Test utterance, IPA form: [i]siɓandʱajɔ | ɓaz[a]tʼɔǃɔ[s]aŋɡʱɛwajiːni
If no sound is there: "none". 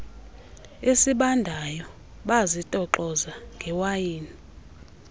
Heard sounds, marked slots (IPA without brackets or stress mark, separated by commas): e, i, z